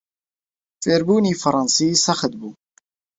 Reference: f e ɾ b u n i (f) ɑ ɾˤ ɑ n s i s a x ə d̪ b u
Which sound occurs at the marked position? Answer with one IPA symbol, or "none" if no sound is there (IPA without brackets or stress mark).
f